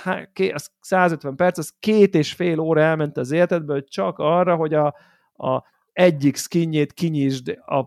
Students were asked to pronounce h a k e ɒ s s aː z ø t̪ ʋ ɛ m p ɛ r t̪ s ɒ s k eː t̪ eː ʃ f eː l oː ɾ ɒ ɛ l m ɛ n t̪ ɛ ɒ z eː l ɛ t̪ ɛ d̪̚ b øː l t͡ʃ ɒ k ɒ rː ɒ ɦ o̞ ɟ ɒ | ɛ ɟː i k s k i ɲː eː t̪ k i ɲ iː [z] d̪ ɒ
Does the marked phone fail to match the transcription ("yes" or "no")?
yes